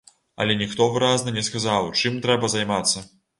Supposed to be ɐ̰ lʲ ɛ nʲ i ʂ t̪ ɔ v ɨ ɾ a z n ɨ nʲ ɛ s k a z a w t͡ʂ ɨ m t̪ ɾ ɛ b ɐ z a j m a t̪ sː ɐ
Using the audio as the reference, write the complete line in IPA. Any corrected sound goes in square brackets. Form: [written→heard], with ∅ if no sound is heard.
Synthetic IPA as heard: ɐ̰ lʲ ɛ nʲ i [ʂ→x] t̪ ɔ v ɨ ɾ a z n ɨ nʲ ɛ s k a z a w t͡ʂ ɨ m t̪ ɾ ɛ b ɐ z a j m a t̪ sː ɐ